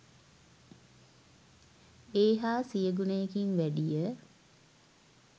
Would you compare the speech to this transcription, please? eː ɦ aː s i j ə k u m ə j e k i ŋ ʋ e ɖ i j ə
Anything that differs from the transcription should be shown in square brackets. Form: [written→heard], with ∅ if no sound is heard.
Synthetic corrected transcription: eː ɦ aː s i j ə [k→ɡ] u [m→n] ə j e k i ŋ ʋ [e→æ] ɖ i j ə